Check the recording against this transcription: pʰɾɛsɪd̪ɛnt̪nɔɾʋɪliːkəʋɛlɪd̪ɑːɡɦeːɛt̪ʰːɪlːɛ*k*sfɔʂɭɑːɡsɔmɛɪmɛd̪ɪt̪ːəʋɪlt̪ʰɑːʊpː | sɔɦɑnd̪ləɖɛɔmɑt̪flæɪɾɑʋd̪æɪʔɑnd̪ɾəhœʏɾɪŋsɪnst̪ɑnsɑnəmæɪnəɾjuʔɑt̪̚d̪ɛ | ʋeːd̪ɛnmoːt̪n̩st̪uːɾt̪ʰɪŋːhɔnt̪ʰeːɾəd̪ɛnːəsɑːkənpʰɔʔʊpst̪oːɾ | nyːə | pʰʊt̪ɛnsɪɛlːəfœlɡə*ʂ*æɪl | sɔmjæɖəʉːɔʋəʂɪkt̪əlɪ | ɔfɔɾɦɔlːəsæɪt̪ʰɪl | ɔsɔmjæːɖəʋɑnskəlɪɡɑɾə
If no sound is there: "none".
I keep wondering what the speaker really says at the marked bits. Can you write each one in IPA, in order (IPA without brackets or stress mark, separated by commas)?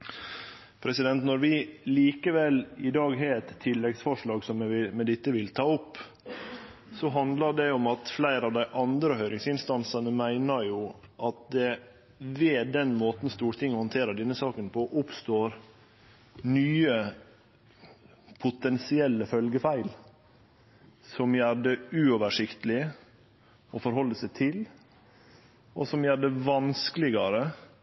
ɡ, f